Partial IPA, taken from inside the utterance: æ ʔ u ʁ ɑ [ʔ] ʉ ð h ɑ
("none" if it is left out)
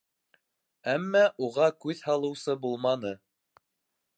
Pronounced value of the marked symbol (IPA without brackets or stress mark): k